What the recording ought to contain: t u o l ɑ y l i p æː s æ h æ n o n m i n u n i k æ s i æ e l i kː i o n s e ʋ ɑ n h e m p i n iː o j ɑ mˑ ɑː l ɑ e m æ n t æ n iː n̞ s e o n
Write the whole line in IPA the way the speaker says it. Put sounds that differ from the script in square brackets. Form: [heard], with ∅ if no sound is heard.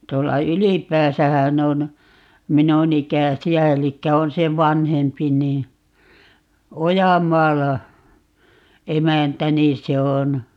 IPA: t u o [lː] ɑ y l i p æː s æ h æ n o n m i n u n i k æ s i æ e l i kː [æ] o n s e ʋ ɑ n h e m p i n iː o j ɑ mˑ ɑː l ɑ e m æ n t æ n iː n̞ s e o n